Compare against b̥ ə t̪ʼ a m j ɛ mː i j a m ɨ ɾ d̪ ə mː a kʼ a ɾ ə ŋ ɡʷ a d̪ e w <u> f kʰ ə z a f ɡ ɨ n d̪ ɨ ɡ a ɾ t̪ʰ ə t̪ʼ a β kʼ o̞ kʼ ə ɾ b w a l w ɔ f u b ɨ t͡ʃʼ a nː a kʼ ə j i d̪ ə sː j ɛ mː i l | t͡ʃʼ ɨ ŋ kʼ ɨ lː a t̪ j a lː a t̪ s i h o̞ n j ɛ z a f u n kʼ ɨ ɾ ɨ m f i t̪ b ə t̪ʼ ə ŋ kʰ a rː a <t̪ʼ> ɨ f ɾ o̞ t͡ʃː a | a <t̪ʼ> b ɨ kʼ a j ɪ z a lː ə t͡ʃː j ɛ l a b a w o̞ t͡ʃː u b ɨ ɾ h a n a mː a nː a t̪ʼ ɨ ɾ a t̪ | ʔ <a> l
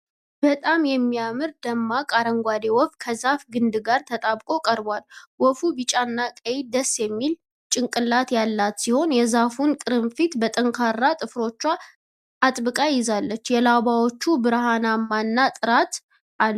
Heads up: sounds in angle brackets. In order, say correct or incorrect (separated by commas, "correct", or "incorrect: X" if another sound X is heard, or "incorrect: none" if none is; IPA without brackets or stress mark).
incorrect: ɔ, correct, correct, correct